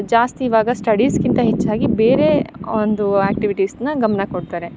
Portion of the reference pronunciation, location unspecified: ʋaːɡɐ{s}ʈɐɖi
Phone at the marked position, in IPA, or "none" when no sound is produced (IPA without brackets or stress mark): s